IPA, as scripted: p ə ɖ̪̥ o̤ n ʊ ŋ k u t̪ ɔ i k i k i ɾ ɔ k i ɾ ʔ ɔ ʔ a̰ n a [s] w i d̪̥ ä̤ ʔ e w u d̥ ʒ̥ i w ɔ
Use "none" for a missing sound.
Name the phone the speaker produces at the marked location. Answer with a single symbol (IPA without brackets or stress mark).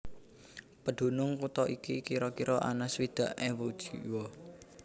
s